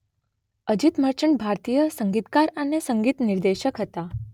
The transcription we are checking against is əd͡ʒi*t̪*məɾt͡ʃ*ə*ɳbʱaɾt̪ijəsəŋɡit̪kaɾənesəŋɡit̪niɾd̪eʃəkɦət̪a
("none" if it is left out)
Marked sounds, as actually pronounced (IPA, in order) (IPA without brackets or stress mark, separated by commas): t̪, ə